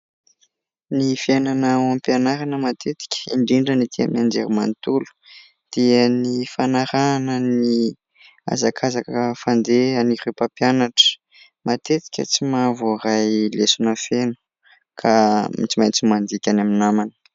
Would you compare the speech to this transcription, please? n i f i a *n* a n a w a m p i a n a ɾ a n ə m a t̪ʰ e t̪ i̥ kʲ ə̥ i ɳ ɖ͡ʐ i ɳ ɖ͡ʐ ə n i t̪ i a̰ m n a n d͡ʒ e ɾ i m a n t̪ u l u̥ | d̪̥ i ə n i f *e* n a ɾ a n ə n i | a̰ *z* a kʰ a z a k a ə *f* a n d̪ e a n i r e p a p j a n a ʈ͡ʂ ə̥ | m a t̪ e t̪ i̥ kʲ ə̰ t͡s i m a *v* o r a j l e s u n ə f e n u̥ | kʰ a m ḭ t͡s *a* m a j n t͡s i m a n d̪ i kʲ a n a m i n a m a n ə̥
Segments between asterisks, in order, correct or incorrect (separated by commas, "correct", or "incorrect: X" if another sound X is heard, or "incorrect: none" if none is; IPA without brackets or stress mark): correct, incorrect: a, correct, correct, correct, incorrect: i